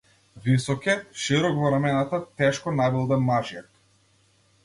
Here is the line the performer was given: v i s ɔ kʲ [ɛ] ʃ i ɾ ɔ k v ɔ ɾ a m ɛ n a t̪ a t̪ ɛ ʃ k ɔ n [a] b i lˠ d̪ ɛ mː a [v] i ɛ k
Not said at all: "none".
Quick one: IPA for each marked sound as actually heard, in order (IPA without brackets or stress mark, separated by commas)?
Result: ɛ, a, ʒ